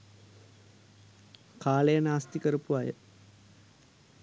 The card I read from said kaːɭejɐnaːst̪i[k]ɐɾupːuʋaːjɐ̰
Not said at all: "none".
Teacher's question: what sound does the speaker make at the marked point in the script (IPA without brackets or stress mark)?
k